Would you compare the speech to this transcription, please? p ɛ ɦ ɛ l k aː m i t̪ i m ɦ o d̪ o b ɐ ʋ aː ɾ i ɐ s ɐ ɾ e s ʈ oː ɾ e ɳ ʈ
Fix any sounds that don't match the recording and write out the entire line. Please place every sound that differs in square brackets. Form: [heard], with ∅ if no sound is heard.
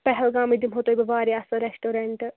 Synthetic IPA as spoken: p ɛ ɦ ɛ l [ɡ] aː m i [d̪] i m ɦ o [t̪] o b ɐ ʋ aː ɾ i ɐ s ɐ ɾ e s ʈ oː ɾ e ɳ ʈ